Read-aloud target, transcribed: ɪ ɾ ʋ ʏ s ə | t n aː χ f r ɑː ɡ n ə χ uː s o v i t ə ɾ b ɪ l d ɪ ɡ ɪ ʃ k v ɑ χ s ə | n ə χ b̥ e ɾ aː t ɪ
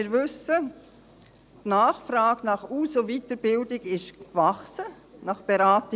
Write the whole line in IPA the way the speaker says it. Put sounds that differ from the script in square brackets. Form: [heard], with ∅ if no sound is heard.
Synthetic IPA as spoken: ɪ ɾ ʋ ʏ s ə | t n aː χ f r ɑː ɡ n [ɑ] χ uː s o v i t ə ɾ b ɪ l d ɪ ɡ ɪ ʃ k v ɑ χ s ə | n [ɑ] χ b̥ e ɾ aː t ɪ